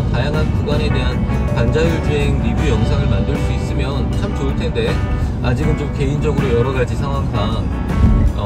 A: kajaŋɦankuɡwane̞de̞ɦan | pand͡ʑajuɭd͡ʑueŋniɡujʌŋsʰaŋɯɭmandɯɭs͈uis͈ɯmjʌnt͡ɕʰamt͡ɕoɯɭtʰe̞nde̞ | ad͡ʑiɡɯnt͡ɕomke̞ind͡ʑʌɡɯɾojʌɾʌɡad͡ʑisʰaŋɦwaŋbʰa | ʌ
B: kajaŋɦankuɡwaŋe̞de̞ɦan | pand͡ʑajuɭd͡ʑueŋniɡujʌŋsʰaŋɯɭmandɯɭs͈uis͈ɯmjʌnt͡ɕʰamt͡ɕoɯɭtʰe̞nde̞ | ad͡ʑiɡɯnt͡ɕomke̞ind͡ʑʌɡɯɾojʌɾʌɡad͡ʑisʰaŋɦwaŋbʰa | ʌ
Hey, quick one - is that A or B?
A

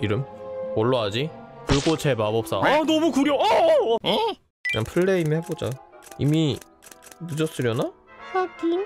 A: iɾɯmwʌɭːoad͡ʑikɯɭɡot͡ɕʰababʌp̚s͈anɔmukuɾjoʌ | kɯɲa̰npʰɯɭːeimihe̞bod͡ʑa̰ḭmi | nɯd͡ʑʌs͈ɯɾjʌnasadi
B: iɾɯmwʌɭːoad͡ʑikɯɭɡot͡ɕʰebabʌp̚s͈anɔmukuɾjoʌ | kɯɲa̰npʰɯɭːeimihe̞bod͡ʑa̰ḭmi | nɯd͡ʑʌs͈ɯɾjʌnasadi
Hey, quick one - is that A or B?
B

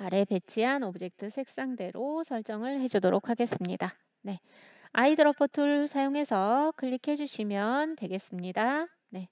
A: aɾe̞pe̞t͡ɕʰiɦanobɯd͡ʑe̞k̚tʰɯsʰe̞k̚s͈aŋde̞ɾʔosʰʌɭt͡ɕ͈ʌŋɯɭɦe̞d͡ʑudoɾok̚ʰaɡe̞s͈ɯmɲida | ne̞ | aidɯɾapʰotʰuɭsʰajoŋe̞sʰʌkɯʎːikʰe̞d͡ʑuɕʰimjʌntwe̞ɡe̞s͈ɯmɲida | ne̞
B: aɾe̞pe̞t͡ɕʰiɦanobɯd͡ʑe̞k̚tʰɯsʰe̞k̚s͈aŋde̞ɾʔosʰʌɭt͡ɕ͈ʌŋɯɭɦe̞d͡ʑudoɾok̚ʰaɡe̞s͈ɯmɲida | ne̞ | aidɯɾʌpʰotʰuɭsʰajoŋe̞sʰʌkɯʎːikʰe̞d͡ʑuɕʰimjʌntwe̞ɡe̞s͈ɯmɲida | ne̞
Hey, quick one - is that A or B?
B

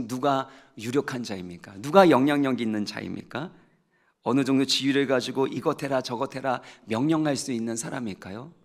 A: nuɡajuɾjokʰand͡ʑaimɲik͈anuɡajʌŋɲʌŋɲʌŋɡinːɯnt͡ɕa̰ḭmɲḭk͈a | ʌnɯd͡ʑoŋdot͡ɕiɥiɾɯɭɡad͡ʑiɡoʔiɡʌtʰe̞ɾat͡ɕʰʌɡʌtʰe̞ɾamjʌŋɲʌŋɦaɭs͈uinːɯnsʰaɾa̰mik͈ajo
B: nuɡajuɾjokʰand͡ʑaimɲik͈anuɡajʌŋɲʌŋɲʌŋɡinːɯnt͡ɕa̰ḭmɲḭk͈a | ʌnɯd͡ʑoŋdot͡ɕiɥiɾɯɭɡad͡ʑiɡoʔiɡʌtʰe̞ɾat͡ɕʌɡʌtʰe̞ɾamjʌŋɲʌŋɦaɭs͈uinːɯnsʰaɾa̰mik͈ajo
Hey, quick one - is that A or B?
B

